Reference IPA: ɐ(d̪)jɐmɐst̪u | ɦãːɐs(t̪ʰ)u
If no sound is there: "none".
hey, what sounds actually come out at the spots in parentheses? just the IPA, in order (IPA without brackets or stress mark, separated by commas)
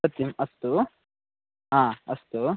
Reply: t̪, t̪